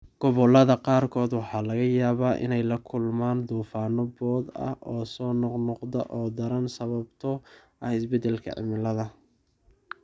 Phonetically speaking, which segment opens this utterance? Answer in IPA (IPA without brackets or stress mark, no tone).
ɡ̥